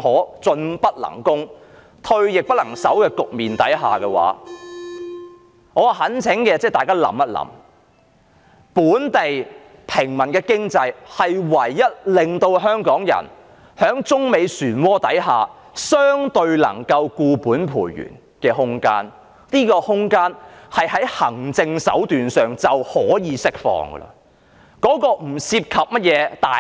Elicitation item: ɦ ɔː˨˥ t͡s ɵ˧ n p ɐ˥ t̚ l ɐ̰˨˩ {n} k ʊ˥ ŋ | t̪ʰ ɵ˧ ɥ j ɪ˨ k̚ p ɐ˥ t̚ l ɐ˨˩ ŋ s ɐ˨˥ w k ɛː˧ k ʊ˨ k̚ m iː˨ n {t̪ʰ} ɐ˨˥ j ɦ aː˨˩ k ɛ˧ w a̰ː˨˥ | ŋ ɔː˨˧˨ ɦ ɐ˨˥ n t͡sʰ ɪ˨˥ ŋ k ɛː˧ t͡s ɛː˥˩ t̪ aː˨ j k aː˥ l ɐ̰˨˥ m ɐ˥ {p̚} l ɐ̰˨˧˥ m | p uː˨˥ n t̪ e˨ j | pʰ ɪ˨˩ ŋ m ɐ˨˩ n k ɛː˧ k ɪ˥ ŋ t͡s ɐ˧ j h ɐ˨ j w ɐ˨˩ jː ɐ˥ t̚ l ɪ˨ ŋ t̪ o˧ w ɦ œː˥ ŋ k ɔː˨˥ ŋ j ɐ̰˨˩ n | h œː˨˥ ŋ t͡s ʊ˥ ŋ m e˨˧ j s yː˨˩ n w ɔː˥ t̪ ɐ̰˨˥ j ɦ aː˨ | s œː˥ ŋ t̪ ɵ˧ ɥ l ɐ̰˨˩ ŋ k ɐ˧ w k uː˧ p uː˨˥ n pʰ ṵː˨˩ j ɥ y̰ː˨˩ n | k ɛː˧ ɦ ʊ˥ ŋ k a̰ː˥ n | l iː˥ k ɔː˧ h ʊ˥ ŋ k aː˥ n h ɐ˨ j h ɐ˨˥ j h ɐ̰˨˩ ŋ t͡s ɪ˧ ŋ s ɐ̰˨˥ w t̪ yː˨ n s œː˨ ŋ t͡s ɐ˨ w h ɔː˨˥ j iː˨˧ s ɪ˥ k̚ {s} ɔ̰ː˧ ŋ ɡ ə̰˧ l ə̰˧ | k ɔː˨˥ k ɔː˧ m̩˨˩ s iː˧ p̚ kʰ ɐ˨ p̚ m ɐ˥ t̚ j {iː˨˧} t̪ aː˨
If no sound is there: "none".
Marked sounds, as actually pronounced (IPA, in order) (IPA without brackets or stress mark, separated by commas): ŋ, t̪, t̚, f, ɛː˨˧